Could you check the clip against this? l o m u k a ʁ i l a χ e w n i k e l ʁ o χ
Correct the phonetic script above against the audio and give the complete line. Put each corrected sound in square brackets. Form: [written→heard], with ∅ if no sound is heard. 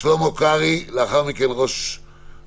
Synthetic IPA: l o m [u→o] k a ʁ i l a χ [e→a] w [n→m] i k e l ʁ o [χ→ʃ]